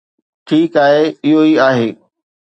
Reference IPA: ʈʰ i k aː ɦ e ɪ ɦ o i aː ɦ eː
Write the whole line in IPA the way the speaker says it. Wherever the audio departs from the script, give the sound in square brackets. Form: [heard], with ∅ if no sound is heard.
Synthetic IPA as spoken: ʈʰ [iː] k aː ɦ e ɪ ɦ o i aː ɦ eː